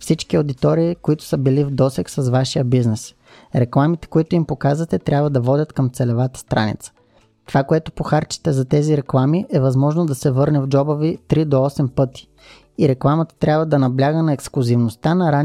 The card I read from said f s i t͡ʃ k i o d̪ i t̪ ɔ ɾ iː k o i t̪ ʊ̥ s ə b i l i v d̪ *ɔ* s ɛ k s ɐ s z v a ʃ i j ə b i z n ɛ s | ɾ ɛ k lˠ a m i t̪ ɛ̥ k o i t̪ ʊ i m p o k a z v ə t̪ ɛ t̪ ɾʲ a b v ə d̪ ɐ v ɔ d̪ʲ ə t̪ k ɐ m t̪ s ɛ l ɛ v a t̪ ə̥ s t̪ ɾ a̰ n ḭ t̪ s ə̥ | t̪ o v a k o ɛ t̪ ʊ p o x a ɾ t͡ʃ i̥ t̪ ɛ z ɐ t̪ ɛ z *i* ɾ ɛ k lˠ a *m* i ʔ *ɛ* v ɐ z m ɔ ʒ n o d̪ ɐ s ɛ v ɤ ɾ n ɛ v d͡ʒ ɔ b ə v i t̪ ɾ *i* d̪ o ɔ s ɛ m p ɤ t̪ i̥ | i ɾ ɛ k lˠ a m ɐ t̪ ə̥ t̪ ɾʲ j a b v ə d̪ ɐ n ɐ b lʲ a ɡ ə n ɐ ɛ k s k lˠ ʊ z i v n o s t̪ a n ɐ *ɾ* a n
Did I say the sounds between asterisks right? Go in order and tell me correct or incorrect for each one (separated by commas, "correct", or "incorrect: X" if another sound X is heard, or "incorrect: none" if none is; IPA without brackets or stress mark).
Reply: correct, correct, correct, correct, correct, correct